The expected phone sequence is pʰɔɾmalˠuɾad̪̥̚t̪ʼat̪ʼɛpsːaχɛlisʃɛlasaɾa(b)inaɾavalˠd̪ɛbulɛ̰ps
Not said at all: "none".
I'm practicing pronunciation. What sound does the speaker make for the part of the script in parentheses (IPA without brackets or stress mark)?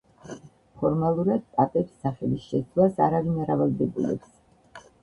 v